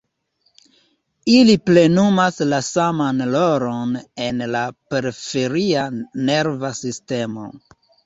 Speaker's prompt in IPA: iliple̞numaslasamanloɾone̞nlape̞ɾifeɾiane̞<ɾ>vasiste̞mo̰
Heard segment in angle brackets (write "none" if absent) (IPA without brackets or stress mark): ɾ